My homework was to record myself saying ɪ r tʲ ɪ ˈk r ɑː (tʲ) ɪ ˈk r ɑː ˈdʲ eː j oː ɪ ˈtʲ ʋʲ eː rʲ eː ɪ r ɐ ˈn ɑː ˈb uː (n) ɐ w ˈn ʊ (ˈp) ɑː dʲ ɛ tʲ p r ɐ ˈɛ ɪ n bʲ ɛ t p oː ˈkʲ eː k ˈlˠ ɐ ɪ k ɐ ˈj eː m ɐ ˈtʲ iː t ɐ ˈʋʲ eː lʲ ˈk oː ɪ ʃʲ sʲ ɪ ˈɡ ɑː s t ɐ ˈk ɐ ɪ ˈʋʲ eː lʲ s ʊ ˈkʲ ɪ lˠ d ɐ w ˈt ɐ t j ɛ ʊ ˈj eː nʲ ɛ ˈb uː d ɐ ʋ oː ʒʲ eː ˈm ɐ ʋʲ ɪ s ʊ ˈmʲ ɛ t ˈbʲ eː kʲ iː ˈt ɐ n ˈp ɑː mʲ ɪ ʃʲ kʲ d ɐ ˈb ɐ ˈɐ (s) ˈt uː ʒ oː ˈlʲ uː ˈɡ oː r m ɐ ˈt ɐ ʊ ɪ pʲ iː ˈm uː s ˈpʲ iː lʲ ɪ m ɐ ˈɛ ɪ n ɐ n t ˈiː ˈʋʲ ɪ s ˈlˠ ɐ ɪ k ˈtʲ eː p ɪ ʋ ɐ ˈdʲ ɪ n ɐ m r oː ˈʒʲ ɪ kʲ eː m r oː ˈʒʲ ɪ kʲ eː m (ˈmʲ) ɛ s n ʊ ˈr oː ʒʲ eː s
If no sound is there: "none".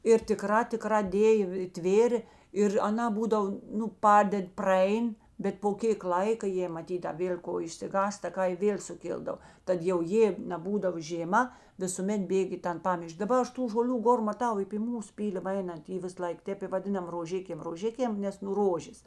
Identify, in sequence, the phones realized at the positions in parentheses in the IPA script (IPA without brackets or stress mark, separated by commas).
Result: tʲ, d, p, ʃ, nʲ